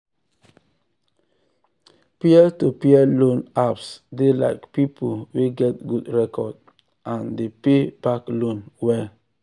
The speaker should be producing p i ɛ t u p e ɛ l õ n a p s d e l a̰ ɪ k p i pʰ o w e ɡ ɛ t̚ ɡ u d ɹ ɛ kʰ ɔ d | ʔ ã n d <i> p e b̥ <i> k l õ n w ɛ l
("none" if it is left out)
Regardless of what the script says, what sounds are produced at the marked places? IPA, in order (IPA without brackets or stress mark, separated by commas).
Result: e, a